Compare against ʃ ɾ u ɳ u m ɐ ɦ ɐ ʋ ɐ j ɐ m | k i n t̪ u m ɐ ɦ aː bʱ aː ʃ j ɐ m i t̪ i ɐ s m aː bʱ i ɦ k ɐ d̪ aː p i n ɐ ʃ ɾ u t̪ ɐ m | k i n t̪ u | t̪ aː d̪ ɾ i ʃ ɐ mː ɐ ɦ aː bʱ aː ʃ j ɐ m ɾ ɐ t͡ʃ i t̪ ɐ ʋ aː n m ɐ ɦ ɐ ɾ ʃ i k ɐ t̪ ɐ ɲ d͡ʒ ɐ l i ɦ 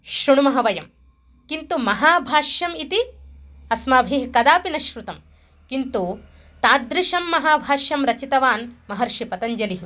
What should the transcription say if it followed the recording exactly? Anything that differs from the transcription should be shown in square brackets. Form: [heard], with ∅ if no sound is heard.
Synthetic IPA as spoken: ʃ ɾ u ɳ u m ɐ ɦ ɐ ʋ ɐ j ɐ m | k i n t̪ u m ɐ ɦ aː bʱ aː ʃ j ɐ m i t̪ i ɐ s m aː bʱ i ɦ k ɐ d̪ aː p i n ɐ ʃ ɾ u t̪ ɐ m | k i n t̪ u | t̪ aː d̪ ɾ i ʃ ɐ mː ɐ ɦ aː bʱ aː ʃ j ɐ m ɾ ɐ t͡ʃ i t̪ ɐ ʋ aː n m ɐ ɦ ɐ ɾ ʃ i [p] ɐ t̪ ɐ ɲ d͡ʒ ɐ l i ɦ